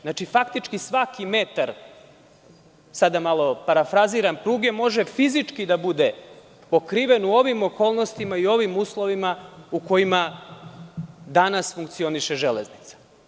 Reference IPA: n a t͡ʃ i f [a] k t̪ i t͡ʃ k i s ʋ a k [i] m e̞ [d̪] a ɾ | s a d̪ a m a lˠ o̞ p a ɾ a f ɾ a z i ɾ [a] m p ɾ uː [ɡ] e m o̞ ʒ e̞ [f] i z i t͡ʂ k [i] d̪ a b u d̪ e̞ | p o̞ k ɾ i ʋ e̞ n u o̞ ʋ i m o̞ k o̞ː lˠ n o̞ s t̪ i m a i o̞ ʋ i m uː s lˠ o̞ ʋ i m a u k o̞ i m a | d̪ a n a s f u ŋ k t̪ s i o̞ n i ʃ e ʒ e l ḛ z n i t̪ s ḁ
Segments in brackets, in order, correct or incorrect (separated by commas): correct, correct, incorrect, correct, correct, correct, correct